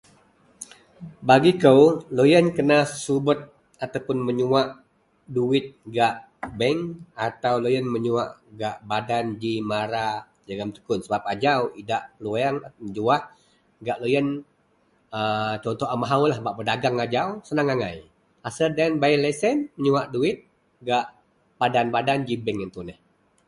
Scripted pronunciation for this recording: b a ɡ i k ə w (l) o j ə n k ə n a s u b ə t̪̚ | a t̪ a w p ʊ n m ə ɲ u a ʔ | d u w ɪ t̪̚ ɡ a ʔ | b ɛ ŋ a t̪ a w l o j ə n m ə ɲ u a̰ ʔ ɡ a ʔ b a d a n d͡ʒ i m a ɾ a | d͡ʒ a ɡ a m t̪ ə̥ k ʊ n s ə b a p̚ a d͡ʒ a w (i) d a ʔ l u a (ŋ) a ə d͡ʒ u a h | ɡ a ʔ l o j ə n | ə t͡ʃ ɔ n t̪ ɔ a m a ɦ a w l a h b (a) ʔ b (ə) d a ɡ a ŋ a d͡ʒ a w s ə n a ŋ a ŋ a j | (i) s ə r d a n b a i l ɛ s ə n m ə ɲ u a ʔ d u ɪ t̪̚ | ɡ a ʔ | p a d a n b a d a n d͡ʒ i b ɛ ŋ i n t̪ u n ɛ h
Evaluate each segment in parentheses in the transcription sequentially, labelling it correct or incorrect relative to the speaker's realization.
correct, correct, correct, correct, correct, incorrect: a

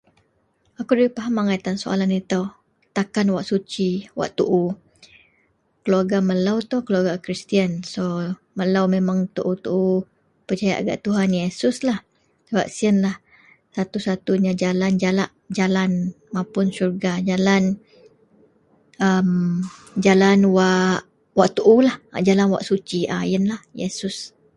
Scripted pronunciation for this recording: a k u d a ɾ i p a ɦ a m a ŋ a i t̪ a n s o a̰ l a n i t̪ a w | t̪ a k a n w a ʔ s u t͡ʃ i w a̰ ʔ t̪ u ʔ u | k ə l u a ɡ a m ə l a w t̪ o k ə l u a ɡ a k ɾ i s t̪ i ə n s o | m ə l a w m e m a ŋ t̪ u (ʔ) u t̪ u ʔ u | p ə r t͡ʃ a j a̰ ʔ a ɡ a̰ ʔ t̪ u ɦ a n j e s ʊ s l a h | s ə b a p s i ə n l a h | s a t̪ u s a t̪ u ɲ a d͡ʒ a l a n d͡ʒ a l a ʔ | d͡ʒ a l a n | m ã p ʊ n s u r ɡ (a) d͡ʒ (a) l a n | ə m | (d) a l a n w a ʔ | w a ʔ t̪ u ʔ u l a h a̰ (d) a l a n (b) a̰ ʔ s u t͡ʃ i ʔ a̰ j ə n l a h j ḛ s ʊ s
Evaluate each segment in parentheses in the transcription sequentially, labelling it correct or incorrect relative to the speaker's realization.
correct, correct, correct, incorrect: d͡ʒ, incorrect: d͡ʒ, incorrect: w

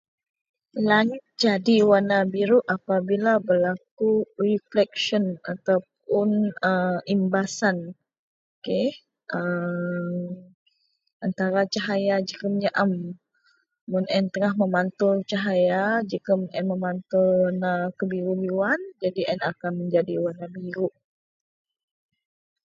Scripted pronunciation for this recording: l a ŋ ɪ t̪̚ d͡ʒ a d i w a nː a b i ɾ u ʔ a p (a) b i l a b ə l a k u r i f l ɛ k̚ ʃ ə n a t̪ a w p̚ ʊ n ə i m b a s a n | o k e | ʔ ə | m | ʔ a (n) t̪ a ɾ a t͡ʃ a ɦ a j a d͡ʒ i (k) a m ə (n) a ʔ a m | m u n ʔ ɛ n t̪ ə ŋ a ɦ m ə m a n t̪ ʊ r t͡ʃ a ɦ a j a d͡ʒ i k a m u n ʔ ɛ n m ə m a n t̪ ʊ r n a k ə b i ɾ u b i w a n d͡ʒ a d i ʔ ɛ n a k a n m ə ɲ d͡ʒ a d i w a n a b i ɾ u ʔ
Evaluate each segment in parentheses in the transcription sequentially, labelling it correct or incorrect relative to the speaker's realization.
correct, correct, correct, incorrect: ɲ

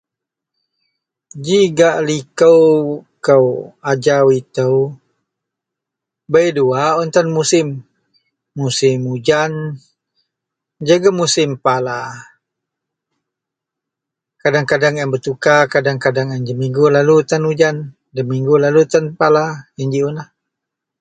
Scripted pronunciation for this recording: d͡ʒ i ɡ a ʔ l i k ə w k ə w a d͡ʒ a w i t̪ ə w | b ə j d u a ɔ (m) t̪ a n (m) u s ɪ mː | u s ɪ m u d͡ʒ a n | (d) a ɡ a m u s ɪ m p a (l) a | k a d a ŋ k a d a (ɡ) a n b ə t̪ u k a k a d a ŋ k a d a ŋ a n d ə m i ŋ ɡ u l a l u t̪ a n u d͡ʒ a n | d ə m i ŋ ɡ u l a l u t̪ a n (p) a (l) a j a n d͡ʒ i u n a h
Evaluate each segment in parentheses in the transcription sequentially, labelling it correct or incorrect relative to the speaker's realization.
incorrect: n, correct, incorrect: d͡ʒ, correct, incorrect: ŋ, correct, correct

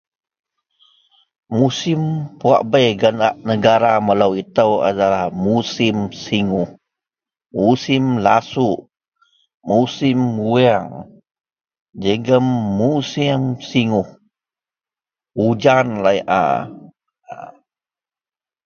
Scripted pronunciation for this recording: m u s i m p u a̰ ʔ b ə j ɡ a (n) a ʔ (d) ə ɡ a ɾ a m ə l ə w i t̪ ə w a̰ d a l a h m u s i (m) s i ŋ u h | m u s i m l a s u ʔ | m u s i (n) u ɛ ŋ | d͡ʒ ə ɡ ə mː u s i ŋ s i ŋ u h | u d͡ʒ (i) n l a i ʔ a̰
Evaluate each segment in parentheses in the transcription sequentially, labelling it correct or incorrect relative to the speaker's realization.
correct, incorrect: n, correct, incorrect: m, incorrect: a

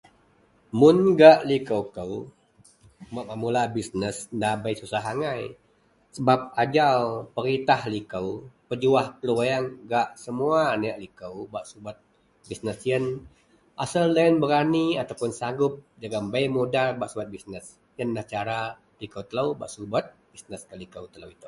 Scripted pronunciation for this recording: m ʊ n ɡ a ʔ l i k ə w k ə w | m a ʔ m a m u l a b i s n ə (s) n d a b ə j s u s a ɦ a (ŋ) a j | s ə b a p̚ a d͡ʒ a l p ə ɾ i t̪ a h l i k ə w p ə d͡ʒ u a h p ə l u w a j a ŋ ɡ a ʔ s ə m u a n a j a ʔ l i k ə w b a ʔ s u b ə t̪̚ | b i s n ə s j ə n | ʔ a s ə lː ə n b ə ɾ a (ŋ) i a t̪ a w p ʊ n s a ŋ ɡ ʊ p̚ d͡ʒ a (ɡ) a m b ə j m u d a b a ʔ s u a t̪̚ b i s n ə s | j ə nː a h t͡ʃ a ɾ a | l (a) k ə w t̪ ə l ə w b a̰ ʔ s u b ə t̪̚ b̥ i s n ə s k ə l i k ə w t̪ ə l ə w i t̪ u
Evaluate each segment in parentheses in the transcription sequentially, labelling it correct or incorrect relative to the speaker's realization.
correct, correct, incorrect: n, correct, incorrect: i

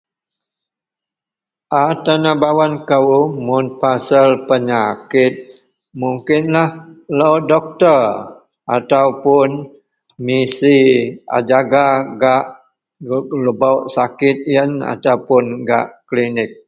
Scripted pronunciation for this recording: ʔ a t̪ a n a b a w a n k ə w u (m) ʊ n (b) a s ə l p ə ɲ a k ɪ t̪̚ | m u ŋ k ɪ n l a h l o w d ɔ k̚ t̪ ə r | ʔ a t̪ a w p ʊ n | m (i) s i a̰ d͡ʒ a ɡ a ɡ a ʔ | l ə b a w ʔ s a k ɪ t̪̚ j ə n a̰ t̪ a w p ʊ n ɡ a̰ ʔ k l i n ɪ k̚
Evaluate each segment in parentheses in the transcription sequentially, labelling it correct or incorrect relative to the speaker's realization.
correct, incorrect: p, correct

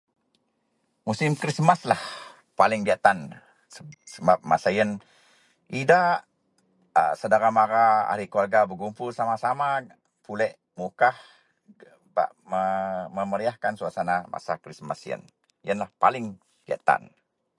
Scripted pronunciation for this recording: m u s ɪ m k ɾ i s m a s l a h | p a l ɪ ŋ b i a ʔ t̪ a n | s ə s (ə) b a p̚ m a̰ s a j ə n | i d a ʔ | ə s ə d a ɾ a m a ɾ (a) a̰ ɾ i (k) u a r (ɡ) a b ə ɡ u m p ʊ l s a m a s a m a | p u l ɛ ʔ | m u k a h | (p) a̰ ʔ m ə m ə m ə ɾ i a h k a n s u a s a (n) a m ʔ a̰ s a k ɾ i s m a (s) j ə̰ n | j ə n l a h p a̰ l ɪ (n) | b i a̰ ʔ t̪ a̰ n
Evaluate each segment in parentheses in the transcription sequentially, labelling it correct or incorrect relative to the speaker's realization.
correct, correct, correct, correct, incorrect: b, correct, correct, incorrect: ŋ

